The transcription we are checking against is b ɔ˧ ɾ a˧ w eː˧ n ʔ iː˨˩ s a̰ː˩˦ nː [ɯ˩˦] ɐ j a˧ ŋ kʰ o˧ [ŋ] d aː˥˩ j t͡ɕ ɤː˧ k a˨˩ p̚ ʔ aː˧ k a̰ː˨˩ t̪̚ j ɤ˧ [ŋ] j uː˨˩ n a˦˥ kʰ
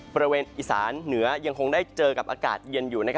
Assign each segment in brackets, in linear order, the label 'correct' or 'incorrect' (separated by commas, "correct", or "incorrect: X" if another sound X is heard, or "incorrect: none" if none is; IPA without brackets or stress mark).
correct, correct, incorrect: n